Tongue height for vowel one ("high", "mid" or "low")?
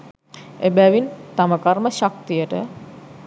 mid